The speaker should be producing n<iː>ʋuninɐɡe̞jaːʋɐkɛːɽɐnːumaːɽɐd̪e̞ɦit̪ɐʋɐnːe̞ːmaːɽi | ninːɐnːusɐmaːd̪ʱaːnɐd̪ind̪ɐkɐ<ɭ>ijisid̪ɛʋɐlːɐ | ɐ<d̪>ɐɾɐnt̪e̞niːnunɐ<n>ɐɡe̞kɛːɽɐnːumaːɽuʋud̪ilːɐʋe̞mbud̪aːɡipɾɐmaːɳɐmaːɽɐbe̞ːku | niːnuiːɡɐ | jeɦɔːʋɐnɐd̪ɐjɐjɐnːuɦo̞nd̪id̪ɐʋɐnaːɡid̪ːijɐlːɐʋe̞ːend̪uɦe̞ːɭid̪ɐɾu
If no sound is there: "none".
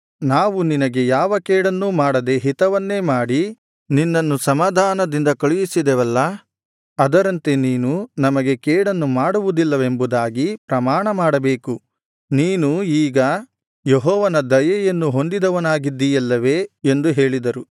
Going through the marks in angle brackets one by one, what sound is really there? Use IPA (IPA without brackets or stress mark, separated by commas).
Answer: aː, ɭ, d̪, m